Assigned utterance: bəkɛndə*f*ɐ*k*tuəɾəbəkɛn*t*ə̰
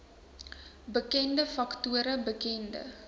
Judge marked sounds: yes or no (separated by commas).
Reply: yes, yes, no